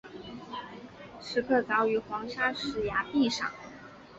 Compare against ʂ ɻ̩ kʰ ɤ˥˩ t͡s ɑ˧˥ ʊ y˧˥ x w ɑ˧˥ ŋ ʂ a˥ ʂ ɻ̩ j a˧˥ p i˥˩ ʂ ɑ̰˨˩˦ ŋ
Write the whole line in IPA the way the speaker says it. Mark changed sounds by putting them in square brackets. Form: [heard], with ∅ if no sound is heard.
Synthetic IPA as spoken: ʂ ɻ̩ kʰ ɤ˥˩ t͡s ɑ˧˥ ʊ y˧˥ x w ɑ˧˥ ŋ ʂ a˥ ʂ ɻ̩ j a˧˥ p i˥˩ ʂ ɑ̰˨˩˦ ŋ